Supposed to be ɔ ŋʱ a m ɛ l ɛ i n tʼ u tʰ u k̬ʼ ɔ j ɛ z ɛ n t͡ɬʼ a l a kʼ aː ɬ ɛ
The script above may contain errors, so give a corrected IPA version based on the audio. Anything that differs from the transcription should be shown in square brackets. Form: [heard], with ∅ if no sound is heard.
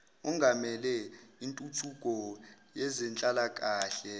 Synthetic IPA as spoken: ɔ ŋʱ a m ɛ l ɛ i n tʼ u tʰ u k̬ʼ ɔ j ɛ z ɛ n t͡ɬʼ a l a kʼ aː ɬ ɛ